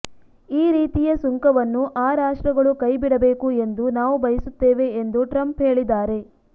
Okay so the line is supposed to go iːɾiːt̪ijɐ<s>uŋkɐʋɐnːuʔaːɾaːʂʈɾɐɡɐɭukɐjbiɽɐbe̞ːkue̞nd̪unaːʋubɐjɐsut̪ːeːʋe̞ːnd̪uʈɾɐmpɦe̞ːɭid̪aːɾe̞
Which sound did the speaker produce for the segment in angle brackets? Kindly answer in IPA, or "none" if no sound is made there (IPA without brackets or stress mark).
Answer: s